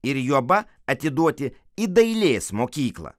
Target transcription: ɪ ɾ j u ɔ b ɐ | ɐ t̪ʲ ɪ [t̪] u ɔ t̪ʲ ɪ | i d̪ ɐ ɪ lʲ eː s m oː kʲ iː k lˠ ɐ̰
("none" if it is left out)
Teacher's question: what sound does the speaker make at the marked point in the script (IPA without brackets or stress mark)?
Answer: d̪